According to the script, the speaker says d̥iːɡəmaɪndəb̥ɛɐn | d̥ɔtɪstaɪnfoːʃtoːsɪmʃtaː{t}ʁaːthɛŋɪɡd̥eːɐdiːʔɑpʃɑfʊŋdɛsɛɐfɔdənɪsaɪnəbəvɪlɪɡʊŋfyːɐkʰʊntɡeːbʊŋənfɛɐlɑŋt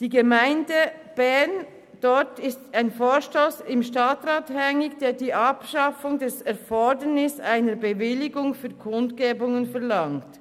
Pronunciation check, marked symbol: correct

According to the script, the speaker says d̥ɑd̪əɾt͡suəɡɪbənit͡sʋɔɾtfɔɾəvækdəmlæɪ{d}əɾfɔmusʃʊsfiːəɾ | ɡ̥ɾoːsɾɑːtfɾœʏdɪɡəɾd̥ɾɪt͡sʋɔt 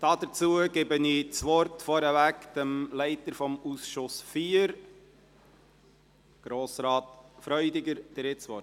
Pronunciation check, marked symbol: incorrect: t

